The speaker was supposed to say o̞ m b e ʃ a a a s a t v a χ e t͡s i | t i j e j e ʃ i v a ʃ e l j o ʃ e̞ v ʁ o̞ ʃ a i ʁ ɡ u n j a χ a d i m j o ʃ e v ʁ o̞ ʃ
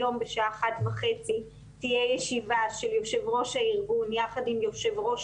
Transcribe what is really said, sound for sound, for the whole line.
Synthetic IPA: o̞ m b e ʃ a a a χ a t v a χ e t͡s i | t i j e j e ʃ i v a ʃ e l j o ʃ e̞ v ʁ o̞ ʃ a i ʁ ɡ u n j a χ a d i m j o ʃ e v ʁ o̞ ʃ